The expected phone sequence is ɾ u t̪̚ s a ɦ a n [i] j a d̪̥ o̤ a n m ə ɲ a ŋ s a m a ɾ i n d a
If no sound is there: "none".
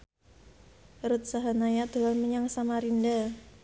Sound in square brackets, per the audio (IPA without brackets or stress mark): a